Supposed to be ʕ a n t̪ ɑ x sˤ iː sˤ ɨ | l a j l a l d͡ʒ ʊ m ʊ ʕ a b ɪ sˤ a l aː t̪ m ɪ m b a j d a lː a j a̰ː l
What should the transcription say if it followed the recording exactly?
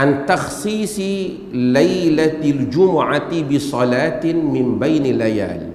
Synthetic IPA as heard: ʕ a n t̪ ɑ x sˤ iː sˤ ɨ | l a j l a l d͡ʒ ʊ m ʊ ʕ a b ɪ sˤ ɑ l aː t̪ m ɪ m b a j n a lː a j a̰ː l

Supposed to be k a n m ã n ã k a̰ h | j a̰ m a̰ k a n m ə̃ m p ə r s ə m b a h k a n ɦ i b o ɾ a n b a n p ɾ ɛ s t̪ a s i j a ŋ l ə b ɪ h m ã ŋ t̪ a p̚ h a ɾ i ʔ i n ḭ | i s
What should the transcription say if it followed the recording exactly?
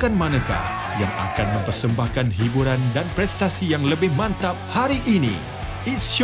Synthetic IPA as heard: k a n m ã n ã k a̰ h | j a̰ ŋ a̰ k a n m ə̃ m p ə r s ə m b a h k a n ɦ i b u ɾ a n d a n p ɾ ɛ s t̪ a s i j a ŋ l ə b ɪ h m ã n t̪ a p̚ h a ɾ i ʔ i n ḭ | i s

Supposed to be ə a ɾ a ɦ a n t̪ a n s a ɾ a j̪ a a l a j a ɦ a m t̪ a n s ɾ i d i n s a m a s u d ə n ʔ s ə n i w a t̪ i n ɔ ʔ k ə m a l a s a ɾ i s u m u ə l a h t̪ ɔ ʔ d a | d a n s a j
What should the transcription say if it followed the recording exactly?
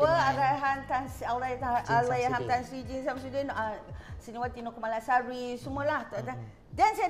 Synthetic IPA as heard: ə a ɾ a ɦ a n t̪ a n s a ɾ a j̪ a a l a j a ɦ a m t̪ a n s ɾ i d͡ʒ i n s a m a s u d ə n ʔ s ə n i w a t̪ i n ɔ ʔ k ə m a l a s a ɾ i s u m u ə l a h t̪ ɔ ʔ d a | d a n s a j

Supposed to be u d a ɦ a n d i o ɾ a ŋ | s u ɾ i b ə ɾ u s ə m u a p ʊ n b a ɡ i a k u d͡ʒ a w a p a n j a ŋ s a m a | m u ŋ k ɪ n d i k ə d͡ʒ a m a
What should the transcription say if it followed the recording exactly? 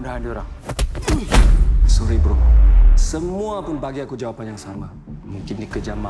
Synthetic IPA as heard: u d a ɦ a n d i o ɾ a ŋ | s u ɾ i b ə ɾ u s ə m u a p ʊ n b a ɡ i a k u d͡ʒ a w a p a n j a ŋ s a m a | m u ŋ k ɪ n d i k ə d͡ʒ a m a

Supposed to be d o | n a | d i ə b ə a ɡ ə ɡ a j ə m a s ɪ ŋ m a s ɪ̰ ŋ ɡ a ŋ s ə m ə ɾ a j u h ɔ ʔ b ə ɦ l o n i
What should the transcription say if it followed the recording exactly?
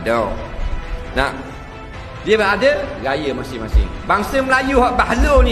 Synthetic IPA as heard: d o | n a | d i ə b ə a d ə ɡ a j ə m a s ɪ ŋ m a s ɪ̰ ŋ b a ŋ s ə m ə l a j u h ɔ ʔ b a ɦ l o n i

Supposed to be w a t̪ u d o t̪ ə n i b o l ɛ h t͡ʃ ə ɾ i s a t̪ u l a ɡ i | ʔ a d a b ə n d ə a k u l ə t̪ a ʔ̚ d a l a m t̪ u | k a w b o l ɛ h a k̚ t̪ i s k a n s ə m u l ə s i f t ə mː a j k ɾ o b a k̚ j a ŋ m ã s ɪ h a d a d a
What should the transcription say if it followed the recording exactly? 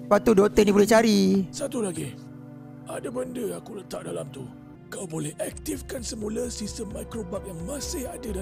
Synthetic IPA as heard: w a t̪ u d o t̪ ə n i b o l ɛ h t͡ʃ a ɾ i s a t̪ u l a ɡ i | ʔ a d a b ə n d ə a k u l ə t̪ a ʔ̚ d a l a m t̪ u | k a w b o l ɛ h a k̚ t̪ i f k a n s ə m u l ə s i s t ə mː a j k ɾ o b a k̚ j a ŋ m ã s ɪ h a d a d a

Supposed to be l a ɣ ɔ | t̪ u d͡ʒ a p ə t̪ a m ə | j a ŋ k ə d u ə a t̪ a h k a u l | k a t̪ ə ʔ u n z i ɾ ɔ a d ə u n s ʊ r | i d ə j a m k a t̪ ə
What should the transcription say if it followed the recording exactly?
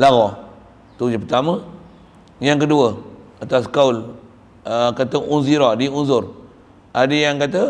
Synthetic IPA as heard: l a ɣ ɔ | t̪ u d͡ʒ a p ə t̪ a m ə | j a ŋ k ə d u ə a t̪ a s k a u l | k a t̪ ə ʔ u n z i ɾ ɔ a d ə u n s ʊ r | a d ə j a ŋ k a t̪ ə

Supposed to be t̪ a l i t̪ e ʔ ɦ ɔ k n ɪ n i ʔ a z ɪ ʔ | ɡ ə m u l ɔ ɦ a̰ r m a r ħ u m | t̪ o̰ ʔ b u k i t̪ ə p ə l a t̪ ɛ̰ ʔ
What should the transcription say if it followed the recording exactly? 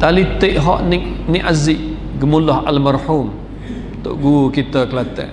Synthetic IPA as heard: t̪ a l i t̪ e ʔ ɦ ɔ ʔ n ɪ n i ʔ a z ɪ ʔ | ɡ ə m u l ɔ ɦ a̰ l m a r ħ u m | t̪ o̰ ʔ ɡ u k i t̪ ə k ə l a t̪ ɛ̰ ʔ

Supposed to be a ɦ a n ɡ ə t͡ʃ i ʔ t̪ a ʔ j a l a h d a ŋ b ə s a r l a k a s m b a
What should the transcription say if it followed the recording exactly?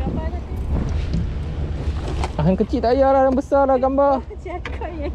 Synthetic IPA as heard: a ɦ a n k ə t͡ʃ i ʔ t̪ a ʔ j a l a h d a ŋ b ə s a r l a ɡ a m b a

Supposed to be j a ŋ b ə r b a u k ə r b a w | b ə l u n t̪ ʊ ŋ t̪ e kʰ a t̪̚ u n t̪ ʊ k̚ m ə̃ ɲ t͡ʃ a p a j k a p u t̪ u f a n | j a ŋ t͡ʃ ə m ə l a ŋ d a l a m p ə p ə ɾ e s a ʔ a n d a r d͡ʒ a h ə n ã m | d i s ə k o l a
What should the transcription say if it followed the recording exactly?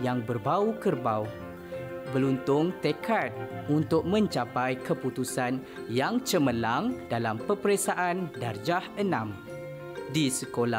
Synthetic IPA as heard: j a ŋ b ə r b a u k ə r b a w | b ə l u n t̪ ʊ ŋ t̪ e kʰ a t̪̚ u n t̪ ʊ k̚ m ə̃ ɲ t͡ʃ a p a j k ə p u t̪ u s a n | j a ŋ t͡ʃ ə m ə l a ŋ d a l a m p ə p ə ɾ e s a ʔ a n d a r d͡ʒ a h ə n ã m | d i s ə k o l a

